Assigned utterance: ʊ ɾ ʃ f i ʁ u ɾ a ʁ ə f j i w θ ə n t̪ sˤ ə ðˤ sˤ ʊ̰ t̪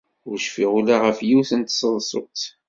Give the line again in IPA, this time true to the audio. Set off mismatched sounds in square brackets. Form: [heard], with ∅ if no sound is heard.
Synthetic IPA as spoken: ʊ ɾ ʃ f i ʁ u [l] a ʁ ə f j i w θ ə n t̪ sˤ ə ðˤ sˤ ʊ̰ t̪

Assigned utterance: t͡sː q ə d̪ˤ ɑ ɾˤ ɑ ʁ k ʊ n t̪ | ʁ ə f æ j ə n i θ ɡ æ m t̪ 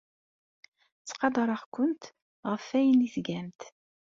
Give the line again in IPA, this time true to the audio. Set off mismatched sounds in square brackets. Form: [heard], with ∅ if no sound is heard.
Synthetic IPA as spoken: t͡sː q [ɑ] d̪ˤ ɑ ɾˤ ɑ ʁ k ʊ n t̪ | ʁ ə f æ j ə n i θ ɡ æ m t̪

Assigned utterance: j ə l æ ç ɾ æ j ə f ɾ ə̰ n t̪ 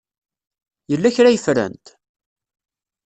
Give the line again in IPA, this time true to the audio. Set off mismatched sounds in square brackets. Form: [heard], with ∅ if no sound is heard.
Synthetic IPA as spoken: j ə [lː] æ ç ɾ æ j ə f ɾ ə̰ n t̪

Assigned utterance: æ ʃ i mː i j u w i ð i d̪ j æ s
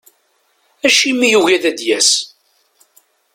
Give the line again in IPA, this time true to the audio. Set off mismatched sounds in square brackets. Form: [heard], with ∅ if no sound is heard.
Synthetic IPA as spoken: æ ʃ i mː i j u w [æ] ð [æ] d̪ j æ s

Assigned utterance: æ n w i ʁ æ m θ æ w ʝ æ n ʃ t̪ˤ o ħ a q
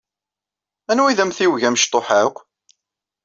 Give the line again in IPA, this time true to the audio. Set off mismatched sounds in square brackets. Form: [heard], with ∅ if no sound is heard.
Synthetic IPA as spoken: æ n w i [ð] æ m θ [i] w ʝ æ [m] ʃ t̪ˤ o ħ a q

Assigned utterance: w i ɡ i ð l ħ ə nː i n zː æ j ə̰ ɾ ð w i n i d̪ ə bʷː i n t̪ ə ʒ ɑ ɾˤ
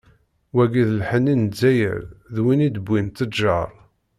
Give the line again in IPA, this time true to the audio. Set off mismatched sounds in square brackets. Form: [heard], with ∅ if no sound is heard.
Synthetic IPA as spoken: w [æ] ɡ i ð l ħ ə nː i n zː æ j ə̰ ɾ ð w i n i d̪ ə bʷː i n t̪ ə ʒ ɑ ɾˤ

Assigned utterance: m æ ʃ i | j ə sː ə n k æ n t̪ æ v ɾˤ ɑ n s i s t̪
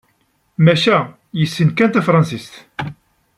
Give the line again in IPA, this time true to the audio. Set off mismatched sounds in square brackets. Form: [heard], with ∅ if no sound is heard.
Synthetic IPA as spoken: m æ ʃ [æ] | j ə sː ə n k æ n t̪ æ [f] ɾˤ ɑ n s i s t̪

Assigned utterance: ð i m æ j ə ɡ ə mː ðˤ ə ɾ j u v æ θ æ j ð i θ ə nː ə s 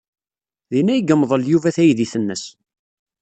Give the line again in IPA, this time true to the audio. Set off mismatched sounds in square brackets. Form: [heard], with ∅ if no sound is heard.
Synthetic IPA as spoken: ð i [n] æ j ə ɡ ə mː ðˤ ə [l] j u v æ θ æ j ð i θ ə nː ə s

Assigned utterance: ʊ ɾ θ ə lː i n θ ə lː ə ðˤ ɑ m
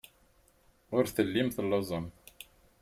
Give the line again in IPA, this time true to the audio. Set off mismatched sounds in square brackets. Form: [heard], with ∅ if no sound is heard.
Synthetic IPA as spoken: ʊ ɾ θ ə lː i [m] θ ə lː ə [zˤ] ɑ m

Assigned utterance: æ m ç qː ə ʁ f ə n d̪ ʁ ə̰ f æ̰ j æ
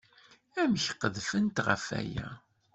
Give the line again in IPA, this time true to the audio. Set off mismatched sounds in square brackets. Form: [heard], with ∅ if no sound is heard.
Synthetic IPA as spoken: æ m ç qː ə [ð] f ə n [t̪] ʁ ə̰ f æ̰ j æ

